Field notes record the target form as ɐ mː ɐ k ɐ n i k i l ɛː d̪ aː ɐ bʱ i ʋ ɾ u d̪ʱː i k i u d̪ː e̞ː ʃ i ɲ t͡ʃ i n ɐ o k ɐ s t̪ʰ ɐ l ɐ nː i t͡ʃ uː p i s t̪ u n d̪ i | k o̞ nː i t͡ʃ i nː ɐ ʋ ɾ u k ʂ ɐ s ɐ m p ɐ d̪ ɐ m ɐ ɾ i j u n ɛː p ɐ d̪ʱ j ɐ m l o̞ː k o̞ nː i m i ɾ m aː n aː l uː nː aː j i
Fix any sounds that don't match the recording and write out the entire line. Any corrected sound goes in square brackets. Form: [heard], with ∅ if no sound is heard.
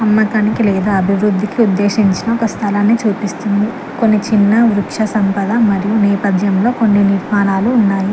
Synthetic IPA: ɐ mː ɐ k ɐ n i k i l ɛː d̪ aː ɐ bʱ i ʋ ɾ u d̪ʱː i k i u d̪ː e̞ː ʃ i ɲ t͡ʃ i n ɐ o k ɐ s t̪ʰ ɐ l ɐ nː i t͡ʃ uː p i s t̪ u n d̪ i | k o̞ nː i t͡ʃ i nː ɐ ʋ ɾ u k ʂ ɐ s ɐ m p ɐ d̪ ɐ m ɐ ɾ i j u n ɛː p ɐ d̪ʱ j ɐ m l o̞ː k o̞ nː i [n] i ɾ m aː n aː l uː nː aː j i